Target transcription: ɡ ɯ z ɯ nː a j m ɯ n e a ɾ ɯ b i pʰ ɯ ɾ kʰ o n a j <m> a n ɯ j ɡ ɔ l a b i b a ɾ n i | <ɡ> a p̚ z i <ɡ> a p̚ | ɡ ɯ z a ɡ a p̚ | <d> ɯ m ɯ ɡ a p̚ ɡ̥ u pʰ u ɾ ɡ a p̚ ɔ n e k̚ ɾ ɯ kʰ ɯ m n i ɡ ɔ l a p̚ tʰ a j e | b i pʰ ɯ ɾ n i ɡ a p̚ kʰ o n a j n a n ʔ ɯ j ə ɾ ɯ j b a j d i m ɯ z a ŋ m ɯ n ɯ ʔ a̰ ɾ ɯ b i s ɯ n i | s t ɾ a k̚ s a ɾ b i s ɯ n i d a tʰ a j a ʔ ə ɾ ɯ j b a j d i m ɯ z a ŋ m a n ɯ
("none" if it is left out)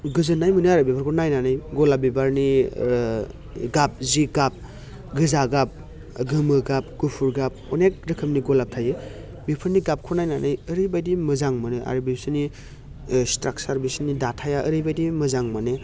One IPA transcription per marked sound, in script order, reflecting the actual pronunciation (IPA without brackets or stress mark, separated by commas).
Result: n, ɡ, ɡ, ɡ